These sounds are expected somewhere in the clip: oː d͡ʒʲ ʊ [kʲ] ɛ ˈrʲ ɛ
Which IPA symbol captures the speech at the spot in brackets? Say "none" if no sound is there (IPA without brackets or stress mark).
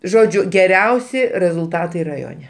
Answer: ɡʲ